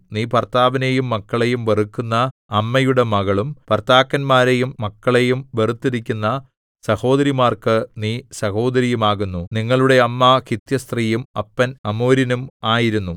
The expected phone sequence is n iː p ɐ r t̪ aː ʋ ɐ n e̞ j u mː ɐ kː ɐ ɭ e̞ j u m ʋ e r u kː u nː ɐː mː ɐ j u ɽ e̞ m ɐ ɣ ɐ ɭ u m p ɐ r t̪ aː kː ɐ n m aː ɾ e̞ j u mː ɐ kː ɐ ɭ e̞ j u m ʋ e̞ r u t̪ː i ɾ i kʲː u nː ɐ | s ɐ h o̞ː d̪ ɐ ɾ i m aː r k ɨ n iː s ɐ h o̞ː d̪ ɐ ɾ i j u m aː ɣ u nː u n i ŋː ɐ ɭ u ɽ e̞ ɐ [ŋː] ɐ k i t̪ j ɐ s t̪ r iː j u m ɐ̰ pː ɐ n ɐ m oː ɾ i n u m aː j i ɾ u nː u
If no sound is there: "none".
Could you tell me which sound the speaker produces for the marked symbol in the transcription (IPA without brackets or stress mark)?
mː